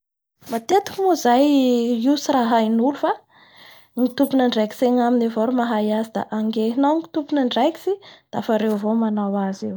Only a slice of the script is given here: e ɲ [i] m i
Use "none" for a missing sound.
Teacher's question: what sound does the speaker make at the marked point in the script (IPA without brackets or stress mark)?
a